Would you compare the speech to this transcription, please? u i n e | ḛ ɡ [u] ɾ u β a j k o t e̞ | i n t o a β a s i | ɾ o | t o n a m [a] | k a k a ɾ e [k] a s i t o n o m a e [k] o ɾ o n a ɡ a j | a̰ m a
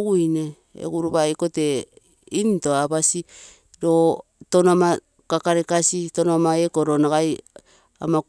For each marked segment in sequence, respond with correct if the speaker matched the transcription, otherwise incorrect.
correct, correct, correct, correct

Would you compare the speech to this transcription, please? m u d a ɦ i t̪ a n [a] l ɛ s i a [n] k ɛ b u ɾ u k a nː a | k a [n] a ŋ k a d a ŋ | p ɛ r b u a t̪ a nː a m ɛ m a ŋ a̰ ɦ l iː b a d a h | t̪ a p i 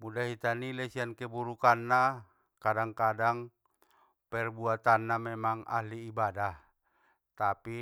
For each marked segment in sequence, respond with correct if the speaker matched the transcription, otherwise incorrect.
incorrect, correct, incorrect

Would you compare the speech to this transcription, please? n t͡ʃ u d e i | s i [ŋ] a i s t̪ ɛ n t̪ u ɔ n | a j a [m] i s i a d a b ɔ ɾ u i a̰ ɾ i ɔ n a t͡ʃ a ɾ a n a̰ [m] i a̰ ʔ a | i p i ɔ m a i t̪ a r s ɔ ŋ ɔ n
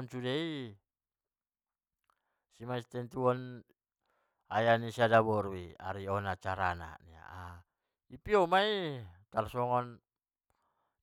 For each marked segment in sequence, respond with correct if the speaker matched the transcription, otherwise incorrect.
incorrect, incorrect, incorrect

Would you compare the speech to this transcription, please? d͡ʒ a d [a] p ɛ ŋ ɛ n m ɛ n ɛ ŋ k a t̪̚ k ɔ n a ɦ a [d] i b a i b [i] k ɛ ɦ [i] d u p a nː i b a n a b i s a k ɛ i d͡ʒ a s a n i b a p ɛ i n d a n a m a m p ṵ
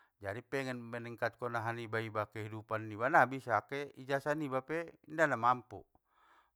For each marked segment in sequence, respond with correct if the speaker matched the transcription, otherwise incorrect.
incorrect, incorrect, incorrect, correct

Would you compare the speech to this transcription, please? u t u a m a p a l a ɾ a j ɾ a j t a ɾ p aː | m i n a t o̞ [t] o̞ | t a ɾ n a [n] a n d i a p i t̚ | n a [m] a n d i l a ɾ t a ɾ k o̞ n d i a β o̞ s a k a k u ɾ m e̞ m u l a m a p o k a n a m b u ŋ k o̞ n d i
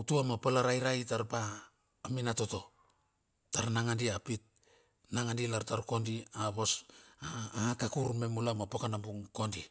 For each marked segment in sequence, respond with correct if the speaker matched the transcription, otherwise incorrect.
correct, incorrect, incorrect

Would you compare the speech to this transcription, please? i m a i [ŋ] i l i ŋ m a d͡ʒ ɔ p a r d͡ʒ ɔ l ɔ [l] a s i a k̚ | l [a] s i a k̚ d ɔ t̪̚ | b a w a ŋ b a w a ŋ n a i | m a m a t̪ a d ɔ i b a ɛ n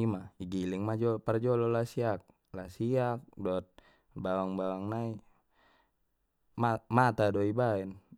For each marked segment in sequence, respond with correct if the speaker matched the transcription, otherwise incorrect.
incorrect, correct, correct

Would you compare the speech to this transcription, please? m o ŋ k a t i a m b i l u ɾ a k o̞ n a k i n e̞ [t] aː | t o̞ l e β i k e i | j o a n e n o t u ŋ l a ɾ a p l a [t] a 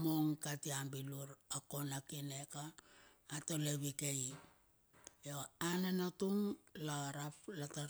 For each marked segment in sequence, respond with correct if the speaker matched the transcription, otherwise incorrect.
incorrect, correct

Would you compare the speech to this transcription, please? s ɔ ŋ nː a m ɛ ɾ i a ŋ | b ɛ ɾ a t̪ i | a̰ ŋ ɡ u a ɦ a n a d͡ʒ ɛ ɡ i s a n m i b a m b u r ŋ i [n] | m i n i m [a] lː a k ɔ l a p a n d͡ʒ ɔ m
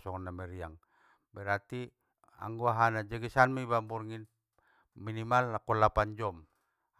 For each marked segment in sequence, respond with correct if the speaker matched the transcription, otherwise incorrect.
correct, correct

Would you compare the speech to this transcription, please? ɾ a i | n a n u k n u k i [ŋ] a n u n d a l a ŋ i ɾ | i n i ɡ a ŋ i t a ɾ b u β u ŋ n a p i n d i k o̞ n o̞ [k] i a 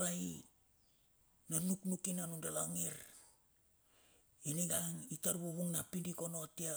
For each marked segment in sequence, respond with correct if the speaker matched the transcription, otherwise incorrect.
incorrect, incorrect

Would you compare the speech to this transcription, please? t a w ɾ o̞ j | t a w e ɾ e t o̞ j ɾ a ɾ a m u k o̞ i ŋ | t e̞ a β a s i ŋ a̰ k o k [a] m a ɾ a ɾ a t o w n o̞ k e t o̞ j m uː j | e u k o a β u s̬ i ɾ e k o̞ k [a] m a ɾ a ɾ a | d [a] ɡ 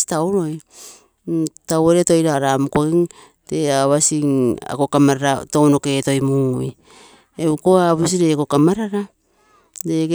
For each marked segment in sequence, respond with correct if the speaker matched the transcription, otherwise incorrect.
correct, correct, incorrect

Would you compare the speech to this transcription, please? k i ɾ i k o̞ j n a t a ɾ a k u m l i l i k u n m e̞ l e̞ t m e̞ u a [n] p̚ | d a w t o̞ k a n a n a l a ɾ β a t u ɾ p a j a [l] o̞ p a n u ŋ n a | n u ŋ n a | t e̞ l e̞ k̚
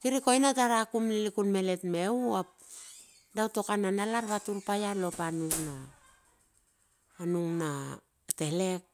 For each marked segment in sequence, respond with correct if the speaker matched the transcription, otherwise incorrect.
incorrect, correct

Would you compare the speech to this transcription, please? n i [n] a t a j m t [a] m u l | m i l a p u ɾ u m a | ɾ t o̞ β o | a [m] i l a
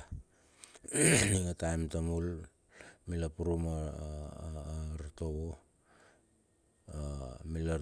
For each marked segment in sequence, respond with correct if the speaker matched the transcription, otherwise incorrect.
incorrect, correct, correct

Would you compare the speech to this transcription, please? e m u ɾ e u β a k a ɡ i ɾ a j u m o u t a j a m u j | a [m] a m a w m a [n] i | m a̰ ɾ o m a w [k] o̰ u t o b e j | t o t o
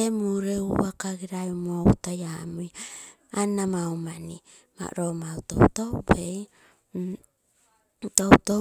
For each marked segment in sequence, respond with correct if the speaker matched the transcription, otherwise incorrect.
incorrect, correct, incorrect

